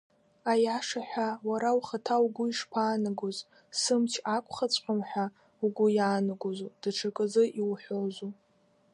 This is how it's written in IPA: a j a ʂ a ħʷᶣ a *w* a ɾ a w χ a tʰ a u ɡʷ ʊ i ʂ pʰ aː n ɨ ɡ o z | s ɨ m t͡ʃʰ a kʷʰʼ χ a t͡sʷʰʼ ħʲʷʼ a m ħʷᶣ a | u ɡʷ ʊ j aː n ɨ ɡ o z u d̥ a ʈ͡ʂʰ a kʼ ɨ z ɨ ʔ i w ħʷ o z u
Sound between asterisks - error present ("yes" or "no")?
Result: no